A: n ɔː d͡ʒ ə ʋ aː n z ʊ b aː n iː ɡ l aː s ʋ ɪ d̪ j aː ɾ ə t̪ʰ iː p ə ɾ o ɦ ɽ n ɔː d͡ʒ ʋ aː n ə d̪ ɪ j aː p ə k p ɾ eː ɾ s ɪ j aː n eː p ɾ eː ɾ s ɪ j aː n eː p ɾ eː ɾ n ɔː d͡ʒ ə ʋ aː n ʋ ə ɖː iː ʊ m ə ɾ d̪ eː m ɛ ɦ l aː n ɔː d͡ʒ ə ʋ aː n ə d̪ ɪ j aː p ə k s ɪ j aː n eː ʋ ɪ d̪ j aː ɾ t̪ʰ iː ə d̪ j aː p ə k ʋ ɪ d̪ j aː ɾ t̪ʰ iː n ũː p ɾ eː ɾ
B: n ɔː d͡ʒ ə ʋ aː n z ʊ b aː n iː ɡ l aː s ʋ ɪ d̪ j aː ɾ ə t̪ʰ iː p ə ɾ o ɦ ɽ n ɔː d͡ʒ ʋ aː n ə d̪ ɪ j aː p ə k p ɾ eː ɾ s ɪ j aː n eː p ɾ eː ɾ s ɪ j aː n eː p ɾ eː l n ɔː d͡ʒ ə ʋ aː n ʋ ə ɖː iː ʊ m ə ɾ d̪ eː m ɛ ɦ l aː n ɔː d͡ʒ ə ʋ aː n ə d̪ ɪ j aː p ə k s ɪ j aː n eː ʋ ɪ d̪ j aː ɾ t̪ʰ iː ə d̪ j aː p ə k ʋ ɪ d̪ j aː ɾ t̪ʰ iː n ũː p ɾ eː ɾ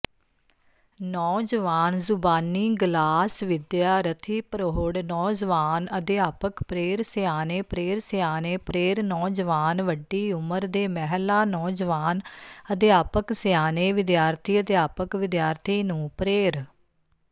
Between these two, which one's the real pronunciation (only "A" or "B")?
A